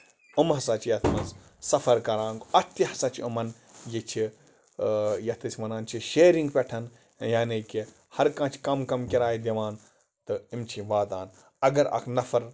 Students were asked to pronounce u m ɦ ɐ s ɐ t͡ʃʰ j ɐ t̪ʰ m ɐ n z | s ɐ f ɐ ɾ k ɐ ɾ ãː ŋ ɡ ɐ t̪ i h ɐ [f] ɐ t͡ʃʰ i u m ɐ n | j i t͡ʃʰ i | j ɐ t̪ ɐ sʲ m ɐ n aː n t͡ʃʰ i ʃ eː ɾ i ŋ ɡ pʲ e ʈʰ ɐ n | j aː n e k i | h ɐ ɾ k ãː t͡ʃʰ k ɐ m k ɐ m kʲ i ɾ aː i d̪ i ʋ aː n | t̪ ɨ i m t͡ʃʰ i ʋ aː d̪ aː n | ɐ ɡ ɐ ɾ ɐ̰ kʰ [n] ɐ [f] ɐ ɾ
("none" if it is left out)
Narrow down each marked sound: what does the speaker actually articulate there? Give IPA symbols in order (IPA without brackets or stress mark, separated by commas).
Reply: s, n, f